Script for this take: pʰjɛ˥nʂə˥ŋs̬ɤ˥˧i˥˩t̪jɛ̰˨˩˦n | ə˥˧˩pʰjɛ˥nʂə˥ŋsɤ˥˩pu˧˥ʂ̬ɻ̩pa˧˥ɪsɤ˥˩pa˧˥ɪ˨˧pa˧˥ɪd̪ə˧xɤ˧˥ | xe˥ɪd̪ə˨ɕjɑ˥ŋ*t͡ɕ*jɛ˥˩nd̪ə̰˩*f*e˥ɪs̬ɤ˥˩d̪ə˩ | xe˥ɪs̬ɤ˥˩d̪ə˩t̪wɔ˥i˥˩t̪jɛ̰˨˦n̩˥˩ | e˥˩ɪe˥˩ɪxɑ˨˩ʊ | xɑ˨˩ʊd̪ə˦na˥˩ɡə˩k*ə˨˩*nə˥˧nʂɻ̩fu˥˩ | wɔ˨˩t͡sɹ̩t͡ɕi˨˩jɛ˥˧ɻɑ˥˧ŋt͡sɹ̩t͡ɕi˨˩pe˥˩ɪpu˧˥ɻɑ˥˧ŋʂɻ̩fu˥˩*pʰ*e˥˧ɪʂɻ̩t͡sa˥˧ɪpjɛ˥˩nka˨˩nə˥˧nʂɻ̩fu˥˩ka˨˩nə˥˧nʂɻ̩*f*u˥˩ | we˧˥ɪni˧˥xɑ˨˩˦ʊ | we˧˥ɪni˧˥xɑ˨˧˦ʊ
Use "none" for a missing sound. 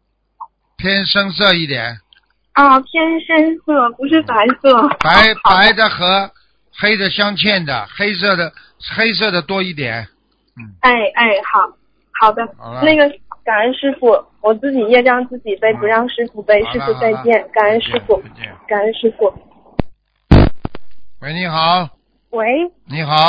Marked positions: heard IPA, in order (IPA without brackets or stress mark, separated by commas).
t͡ɕʰ, x, a˨˩, p, f